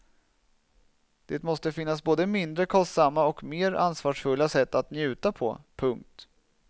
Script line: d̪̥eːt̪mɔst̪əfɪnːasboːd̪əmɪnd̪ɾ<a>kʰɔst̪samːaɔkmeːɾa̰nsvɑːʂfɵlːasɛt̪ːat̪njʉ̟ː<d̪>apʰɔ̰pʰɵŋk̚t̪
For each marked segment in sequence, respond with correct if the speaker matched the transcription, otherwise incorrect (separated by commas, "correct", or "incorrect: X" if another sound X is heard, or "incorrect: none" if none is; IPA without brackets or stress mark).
incorrect: ə, incorrect: t̪